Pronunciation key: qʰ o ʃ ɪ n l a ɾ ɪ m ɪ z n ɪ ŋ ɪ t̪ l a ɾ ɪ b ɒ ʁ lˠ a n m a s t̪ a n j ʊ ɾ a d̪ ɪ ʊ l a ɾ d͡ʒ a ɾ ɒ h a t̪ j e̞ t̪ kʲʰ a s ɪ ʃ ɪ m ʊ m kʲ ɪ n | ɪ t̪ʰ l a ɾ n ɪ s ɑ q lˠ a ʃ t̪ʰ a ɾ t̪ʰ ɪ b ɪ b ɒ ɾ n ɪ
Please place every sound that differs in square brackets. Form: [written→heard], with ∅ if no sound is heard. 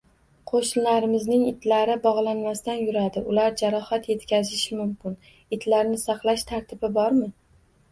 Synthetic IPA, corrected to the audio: qʰ o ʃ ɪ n l a ɾ ɪ m ɪ z n ɪ ŋ ɪ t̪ l a ɾ ɪ b ɒ ʁ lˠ a n m a s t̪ a n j ʊ ɾ a d̪ ɪ ʊ l a ɾ d͡ʒ a ɾ ɒ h a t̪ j e̞ t̪ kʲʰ a [s→z] ɪ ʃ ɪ m ʊ m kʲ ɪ n | ɪ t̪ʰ l a ɾ n ɪ s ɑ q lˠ a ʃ t̪ʰ a ɾ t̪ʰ ɪ b ɪ b ɒ ɾ [n→m] ɪ